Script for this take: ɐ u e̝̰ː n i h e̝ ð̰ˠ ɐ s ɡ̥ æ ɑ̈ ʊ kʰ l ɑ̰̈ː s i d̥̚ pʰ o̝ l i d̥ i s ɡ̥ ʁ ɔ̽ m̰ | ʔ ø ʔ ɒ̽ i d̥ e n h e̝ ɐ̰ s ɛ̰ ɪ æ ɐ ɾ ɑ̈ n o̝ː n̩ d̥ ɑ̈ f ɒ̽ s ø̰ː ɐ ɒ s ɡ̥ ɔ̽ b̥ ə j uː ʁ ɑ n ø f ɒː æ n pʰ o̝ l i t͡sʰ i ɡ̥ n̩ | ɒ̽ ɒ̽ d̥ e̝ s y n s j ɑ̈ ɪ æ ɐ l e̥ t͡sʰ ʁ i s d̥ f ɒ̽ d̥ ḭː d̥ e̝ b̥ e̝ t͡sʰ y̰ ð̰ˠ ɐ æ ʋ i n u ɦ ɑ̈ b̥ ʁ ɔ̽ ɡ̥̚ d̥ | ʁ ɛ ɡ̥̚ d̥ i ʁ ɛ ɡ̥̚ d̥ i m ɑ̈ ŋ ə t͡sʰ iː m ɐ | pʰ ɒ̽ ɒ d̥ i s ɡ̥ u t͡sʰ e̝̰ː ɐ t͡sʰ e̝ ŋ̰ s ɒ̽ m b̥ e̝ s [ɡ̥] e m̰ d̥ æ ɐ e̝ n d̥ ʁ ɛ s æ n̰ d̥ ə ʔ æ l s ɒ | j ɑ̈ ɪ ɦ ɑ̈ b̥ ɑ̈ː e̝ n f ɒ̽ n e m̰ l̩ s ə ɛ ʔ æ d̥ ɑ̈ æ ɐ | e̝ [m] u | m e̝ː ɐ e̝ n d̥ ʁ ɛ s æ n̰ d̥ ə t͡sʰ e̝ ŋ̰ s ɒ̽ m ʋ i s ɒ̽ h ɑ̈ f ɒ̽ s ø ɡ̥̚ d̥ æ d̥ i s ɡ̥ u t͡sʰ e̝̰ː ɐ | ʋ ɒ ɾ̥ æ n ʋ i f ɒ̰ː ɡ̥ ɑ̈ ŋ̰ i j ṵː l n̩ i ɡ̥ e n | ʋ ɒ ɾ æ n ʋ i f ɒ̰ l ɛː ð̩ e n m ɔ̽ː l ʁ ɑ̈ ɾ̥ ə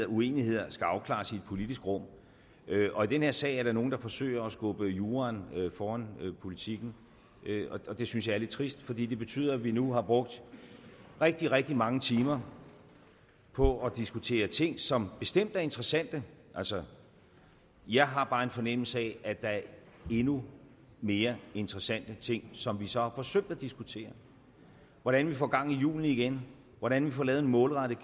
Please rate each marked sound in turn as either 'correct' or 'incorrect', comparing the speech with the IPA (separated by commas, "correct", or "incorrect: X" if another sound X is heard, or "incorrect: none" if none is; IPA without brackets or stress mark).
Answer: incorrect: d̥, incorrect: n